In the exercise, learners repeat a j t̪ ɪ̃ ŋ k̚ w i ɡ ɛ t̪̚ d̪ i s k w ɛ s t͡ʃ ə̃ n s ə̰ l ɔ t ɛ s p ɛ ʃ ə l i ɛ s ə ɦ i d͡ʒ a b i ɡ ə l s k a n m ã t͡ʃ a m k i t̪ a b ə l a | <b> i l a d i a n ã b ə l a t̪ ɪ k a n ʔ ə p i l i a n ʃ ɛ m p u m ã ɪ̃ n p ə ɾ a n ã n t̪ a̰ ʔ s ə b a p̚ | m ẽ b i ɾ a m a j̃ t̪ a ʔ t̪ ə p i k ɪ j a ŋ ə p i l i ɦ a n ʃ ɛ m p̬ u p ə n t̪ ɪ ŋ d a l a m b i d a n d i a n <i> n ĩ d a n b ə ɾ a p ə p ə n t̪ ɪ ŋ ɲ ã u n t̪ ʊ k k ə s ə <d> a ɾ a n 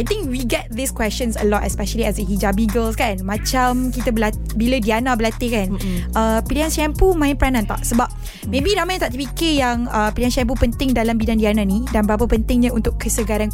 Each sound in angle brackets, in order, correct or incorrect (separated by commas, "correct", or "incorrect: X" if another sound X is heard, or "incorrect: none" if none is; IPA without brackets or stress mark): correct, incorrect: a, incorrect: ɡ